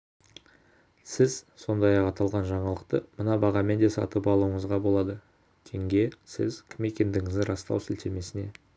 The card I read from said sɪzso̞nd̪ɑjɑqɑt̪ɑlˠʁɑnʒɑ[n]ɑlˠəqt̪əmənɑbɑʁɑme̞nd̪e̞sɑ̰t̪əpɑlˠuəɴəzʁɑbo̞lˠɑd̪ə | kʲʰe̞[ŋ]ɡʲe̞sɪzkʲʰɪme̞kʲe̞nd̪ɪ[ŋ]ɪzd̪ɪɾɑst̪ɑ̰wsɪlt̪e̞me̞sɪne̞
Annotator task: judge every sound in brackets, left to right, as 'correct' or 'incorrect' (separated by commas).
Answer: incorrect, correct, correct